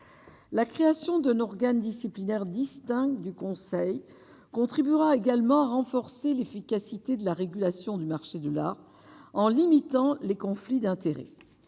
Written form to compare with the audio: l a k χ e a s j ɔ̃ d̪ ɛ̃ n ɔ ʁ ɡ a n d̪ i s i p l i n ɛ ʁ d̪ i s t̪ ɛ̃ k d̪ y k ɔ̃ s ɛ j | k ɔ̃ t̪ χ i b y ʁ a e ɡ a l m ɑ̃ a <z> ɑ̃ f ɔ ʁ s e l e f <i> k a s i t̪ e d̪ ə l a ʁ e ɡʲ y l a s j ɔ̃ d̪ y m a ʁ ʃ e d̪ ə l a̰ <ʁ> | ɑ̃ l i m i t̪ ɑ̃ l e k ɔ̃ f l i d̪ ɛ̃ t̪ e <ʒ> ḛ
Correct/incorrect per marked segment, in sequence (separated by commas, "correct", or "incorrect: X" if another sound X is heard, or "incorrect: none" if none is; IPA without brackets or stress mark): incorrect: ʁ, correct, correct, incorrect: ʁ